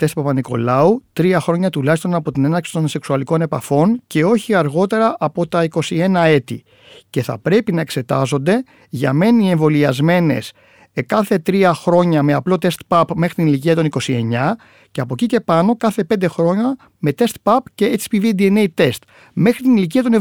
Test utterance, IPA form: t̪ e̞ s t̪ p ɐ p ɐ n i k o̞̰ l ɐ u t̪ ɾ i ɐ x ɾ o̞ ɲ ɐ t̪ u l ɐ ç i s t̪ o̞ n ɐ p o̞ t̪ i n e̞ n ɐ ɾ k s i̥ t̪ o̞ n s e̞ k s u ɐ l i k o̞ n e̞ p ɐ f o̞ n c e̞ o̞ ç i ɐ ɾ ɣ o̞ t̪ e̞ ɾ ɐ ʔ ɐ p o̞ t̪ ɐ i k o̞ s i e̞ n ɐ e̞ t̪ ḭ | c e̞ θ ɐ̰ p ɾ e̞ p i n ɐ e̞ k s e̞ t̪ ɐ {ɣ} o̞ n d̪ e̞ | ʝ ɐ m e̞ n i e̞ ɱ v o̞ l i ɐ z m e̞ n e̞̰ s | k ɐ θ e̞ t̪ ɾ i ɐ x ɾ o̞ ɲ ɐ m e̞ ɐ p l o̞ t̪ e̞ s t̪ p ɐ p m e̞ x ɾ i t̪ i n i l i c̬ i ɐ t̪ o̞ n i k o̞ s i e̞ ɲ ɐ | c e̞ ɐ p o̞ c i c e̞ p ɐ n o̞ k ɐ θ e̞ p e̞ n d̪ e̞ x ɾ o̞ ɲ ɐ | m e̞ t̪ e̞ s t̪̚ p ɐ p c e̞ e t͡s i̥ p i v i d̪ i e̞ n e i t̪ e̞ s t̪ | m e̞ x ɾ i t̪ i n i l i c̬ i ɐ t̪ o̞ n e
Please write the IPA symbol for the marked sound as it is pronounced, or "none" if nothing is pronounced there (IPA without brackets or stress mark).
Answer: z